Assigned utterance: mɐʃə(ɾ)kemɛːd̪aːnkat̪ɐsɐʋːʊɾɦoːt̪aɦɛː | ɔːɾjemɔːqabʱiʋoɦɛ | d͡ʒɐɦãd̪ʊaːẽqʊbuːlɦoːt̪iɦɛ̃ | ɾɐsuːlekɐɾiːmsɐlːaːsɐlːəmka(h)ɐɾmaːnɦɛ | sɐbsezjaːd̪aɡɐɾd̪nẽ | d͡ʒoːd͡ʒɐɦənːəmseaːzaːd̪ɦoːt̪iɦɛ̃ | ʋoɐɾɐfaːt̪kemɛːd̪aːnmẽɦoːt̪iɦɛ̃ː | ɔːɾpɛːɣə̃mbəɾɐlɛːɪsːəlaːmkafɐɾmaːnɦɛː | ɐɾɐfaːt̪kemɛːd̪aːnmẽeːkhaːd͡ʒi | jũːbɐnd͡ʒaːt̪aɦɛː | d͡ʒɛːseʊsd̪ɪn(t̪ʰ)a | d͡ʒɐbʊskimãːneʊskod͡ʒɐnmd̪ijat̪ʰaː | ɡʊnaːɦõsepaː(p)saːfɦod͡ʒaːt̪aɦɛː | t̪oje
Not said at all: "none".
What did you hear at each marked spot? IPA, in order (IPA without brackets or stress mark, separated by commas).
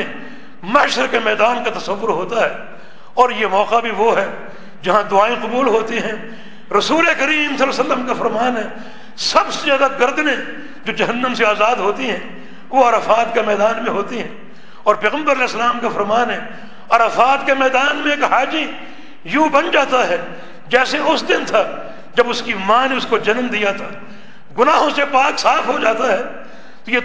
ɾ, f, t̪ʰ, k